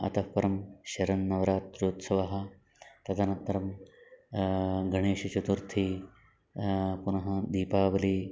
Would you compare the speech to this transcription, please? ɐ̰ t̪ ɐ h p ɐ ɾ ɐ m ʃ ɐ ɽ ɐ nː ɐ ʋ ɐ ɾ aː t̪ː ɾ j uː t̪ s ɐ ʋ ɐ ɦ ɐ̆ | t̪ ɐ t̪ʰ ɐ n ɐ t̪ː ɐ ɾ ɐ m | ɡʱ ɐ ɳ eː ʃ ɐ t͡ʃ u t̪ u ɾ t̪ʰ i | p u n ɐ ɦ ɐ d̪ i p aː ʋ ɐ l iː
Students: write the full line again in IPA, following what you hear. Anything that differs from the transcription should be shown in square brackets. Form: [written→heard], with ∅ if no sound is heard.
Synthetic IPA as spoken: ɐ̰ t̪ ɐ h p ɐ ɾ ɐ m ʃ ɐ [ɽ→ɾ] ɐ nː ɐ ʋ ɐ ɾ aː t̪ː ɾ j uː t̪ s ɐ ʋ ɐ ɦ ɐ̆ | t̪ ɐ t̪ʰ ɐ n ɐ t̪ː ɐ ɾ ɐ m | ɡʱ ɐ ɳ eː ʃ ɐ t͡ʃ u t̪ u ɾ t̪ʰ i | p u n ɐ ɦ ɐ d̪ [i→iː] p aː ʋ ɐ l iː